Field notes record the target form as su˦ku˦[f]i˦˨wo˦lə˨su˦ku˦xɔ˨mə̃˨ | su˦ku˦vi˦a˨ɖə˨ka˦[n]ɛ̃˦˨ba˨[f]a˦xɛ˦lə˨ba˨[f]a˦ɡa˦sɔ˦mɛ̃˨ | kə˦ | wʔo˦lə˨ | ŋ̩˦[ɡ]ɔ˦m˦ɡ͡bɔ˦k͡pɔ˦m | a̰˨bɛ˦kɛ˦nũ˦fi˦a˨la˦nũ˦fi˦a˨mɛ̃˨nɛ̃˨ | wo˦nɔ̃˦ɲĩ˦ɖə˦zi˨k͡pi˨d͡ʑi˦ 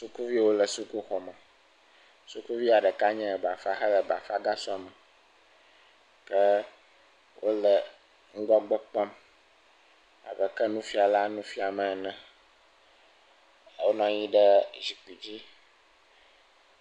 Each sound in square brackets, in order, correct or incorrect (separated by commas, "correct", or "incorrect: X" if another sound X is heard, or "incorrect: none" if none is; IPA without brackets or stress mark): incorrect: v, incorrect: ɲ, correct, correct, correct